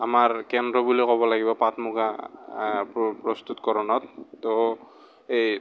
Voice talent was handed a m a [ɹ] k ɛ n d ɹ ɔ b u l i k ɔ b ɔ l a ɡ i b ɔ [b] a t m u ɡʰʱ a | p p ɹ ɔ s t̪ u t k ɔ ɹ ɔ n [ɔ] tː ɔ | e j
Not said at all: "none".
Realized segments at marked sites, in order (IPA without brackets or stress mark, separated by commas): ɹ, p, ɔ